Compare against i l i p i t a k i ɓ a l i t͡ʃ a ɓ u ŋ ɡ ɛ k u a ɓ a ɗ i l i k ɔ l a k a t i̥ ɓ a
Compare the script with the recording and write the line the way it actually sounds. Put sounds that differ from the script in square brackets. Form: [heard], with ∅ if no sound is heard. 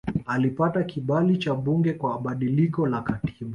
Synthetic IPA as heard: [a] l i p [a] t a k i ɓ a l i t͡ʃ a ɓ u ŋ ɡ ɛ k [w] a ɓ a ɗ i l i k ɔ l a k a t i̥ ɓ a